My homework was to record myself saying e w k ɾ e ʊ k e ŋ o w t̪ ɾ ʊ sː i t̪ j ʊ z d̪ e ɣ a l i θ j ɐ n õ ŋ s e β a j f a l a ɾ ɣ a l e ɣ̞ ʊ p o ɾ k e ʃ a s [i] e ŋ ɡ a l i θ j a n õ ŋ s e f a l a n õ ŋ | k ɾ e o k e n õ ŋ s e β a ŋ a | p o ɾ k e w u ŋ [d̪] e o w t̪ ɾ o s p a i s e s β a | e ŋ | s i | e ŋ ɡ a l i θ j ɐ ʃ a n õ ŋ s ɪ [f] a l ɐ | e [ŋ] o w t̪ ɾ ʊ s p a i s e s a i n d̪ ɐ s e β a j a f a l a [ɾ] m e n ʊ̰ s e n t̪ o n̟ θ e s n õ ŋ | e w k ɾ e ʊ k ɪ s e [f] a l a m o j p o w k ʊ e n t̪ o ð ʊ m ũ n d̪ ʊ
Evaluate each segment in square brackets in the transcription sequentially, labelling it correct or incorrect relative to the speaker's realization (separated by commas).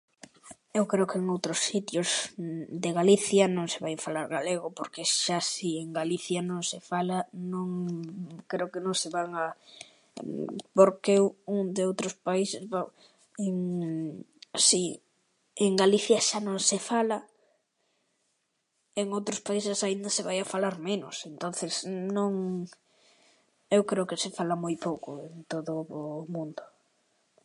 correct, correct, correct, correct, correct, correct